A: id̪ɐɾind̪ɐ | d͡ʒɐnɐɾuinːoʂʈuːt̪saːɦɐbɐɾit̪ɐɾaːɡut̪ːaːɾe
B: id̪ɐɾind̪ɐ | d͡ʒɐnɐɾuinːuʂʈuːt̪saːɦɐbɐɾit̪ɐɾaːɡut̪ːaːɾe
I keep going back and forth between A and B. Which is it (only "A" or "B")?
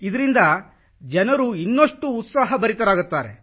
A